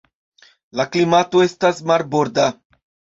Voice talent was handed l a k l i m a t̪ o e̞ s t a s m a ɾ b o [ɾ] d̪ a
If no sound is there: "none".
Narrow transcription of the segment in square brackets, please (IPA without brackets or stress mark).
ɾ